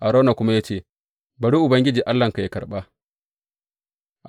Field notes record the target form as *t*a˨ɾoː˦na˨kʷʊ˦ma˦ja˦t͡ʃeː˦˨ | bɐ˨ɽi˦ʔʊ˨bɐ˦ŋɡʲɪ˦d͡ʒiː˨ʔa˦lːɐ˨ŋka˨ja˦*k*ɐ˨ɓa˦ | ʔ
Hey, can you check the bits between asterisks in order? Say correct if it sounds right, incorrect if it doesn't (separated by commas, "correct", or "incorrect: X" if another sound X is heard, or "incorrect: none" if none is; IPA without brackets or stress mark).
incorrect: ʔ, correct